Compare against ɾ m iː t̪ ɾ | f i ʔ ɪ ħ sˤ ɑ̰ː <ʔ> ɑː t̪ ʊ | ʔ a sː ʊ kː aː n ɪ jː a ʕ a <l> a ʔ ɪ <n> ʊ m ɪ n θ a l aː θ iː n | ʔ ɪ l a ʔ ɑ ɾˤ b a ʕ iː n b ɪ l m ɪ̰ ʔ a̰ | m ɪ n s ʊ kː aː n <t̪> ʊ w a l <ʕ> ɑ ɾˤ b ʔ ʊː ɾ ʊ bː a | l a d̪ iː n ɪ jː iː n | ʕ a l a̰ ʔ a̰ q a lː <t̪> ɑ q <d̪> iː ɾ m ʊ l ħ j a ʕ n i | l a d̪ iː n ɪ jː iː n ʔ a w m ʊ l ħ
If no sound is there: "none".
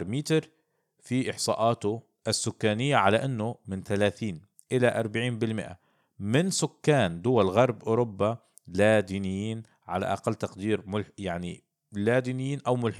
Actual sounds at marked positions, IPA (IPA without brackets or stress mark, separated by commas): ʔ, l, nː, d̪, ɣ, t̪, d̪